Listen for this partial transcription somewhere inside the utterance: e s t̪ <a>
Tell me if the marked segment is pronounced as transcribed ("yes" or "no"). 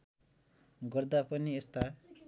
yes